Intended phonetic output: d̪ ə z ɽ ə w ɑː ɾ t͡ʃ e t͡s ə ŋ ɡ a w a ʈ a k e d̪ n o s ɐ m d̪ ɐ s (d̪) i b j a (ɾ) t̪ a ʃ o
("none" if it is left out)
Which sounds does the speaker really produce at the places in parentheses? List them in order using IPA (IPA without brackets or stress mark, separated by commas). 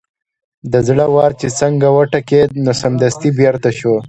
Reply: t̪, ɾ